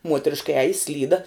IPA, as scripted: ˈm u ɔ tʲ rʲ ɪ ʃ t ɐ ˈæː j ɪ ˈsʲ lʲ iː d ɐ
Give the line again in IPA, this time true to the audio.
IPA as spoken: ˈm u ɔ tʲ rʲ ɪ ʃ k ɐ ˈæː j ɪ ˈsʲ lʲ iː d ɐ

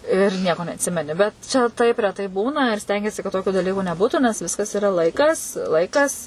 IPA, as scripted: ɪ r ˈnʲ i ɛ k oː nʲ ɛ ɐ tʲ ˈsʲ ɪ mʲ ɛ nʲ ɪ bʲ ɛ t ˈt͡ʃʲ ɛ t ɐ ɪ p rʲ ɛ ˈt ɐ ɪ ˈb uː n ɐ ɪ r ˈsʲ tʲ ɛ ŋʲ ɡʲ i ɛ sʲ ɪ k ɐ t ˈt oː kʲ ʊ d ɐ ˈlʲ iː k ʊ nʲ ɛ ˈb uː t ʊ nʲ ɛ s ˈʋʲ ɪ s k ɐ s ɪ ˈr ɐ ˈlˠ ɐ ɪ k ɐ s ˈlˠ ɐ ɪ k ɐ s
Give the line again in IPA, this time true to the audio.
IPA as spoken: ɪ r ˈnʲ i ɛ k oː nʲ ɛ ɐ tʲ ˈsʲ ɪ mʲ ɛ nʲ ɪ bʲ ɛ t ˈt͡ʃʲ ɛ t ɐ ɪ p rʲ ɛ ˈt ɐ ɪ ˈb uː n ɐ ɪ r ˈsʲ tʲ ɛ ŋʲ ɡʲ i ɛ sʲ ɪ k ɐ t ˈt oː kʲ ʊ d ɐ ˈlʲ iː k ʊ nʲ ɛ ˈb uː t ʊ nʲ ɛ s ˈʋʲ ɪ s k ɐ s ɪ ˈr ɐ ˈlˠ ɐ ɪ k ɐ s ˈlˠ ɐ ɪ k ɐ s

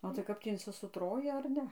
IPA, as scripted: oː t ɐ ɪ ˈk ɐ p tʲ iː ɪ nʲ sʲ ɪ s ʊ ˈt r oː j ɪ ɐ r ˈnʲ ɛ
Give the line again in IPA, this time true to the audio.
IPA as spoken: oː t ɐ ɪ ˈk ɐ p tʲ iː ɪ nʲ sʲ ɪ s ʊ ˈt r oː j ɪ ɐ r ˈnʲ ɛ

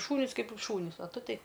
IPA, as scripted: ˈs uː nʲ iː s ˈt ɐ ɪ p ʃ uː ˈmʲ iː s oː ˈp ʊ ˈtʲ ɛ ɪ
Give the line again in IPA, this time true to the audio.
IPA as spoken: ˈʃ uː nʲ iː s ˈk ɐ ɪ p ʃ uː ˈnʲ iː s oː ˈt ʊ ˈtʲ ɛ ɪ

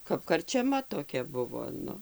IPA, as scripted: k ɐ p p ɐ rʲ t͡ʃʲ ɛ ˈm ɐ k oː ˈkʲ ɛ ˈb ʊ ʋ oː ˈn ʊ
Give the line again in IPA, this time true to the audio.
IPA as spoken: k ɐ p k ɐ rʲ t͡ʃʲ ɛ ˈm ɐ t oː ˈkʲ ɛ ˈb ʊ ʋ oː ˈn ʊ

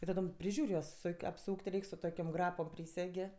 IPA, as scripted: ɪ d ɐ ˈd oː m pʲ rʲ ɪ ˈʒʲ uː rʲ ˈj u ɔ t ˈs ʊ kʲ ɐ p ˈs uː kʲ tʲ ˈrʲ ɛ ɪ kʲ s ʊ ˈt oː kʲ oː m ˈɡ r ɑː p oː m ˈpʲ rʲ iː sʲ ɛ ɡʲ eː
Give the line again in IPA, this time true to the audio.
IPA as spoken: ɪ t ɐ ˈd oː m pʲ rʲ ɪ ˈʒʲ uː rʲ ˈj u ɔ s ˈs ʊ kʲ ɐ p ˈs uː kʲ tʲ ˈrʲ ɛ ɪ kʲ s ʊ ˈt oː kʲ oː m ˈɡ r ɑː p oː m ˈpʲ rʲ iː sʲ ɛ ɡʲ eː

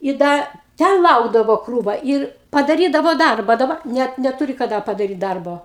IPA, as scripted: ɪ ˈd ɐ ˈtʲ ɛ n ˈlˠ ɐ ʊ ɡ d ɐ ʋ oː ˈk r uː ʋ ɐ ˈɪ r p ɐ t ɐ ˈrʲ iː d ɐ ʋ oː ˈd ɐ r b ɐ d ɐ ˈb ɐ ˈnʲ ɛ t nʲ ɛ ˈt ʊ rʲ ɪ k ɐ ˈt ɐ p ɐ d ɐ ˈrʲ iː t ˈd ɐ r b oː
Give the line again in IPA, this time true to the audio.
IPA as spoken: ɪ ˈd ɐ ˈtʲ ɛ n ˈlˠ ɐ ʊ ɡ d ɐ ʋ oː ˈk r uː ʋ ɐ ˈɪ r p ɐ d ɐ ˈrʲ iː d ɐ ʋ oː ˈd ɐ r b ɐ d ɐ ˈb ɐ ˈnʲ ɛ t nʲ ɛ ˈt ʊ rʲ ɪ k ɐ ˈd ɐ p ɐ d ɐ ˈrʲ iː t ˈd ɐ r b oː

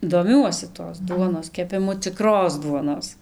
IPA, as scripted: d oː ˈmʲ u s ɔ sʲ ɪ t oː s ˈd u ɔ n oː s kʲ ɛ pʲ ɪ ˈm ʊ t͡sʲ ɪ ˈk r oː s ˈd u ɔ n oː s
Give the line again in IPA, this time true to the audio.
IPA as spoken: d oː ˈmʲ u ɔ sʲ ɪ t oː s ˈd u ɔ n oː s kʲ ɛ pʲ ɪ ˈm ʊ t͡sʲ ɪ ˈk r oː s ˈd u ɔ n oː s

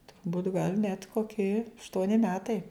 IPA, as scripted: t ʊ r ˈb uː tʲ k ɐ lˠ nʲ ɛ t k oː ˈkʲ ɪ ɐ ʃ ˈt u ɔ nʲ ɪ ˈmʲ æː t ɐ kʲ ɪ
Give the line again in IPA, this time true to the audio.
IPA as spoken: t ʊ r ˈb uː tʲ ɡ ɐ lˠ nʲ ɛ t k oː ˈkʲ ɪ ɐ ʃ ˈt u ɔ nʲ ɪ ˈmʲ æː t ɐ ɪ

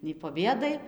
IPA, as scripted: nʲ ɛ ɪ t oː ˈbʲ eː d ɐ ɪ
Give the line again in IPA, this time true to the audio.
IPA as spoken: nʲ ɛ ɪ p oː ˈbʲ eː d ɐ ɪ

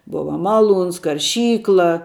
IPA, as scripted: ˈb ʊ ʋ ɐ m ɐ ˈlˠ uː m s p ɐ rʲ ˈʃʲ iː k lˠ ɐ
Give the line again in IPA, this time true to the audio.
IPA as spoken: ˈb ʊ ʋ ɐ m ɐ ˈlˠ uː n s k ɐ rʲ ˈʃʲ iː k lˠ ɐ

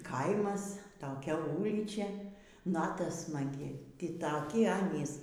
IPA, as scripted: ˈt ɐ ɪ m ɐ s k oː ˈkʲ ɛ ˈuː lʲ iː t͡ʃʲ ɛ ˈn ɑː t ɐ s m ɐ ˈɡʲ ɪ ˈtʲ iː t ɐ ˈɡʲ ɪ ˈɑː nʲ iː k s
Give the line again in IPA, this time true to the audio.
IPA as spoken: ˈk ɐ ɪ m ɐ s t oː ˈkʲ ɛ ˈuː lʲ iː t͡ʃʲ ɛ ˈn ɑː t ɐ s m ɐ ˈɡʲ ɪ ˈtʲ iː t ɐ ˈkʲ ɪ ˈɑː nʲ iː s

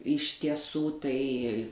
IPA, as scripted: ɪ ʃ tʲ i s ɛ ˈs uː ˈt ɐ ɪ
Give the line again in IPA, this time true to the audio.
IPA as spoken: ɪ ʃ tʲ i ɛ ˈs uː ˈt ɐ ɪ

